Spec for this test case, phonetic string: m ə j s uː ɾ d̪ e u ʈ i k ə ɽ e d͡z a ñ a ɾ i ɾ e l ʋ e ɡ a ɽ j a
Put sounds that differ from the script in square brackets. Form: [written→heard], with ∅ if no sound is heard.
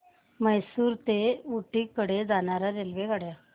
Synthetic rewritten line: m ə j s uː ɾ [d̪→t̪] e u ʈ i k ə ɽ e d͡z a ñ a ɾ [i→a] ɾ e l ʋ e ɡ a ɽ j a